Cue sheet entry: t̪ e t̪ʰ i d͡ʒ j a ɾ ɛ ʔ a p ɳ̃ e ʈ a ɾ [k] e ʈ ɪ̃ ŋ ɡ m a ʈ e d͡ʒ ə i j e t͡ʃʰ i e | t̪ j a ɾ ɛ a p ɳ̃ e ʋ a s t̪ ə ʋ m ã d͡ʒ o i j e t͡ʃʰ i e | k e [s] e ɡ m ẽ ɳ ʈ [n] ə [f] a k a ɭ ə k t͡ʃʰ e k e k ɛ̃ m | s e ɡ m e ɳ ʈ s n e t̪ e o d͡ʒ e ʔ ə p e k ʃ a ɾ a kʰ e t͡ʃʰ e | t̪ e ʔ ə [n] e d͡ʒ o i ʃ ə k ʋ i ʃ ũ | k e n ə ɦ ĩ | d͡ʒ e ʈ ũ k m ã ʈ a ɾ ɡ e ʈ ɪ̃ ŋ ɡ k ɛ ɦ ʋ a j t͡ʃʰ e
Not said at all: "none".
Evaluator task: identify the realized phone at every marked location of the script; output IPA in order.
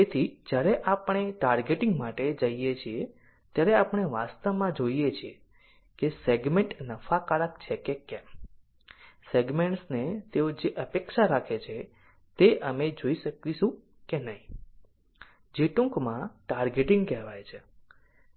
ɡ, s, n, f, m

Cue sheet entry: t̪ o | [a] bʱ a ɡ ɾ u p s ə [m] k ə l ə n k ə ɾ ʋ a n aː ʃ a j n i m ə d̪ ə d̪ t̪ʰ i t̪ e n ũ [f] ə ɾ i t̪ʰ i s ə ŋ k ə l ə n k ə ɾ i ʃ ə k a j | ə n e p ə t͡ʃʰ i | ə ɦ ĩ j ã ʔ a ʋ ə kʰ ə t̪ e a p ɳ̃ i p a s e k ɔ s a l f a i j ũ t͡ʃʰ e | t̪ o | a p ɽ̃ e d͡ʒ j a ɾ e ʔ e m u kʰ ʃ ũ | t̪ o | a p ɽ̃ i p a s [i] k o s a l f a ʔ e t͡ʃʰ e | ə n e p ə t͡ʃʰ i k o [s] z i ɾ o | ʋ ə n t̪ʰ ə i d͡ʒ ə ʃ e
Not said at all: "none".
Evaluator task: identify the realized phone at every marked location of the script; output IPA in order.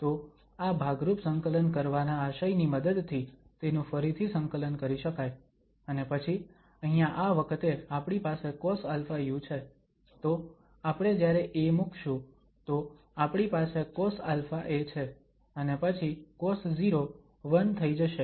a, ŋ, f, e, s

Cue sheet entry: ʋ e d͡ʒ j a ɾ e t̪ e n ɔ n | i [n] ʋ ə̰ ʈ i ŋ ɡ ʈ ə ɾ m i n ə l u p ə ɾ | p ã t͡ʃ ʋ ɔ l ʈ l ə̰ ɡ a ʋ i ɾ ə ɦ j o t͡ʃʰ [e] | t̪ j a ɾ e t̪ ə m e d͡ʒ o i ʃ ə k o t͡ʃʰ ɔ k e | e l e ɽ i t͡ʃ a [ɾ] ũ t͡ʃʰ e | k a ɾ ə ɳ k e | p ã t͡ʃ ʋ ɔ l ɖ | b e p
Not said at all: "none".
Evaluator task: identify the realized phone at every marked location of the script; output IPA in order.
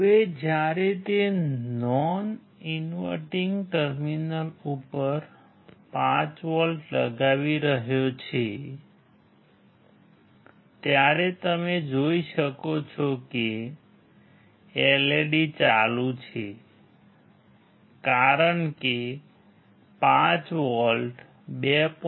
n, e, l

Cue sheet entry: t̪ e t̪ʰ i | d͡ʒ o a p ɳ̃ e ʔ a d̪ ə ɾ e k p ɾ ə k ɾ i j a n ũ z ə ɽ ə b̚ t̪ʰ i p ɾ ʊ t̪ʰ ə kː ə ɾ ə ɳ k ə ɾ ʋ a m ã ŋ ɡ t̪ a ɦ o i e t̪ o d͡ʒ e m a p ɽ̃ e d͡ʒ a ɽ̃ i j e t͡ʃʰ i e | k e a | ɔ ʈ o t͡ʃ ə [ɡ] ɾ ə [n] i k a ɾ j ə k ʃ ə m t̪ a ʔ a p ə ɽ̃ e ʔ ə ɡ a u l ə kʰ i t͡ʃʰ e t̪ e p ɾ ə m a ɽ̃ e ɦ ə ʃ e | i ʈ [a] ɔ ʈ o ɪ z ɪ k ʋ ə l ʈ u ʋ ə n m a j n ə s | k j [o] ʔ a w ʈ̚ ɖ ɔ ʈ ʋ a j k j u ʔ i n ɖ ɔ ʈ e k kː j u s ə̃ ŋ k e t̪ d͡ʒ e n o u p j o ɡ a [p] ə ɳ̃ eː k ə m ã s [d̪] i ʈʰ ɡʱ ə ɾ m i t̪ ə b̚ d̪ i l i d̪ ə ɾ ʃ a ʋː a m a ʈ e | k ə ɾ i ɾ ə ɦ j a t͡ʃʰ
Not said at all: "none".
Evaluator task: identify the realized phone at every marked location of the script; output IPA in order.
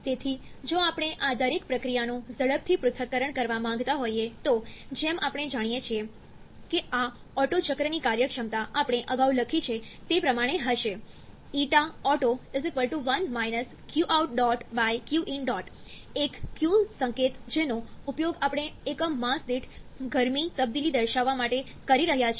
k, n, a, u, p, d̪

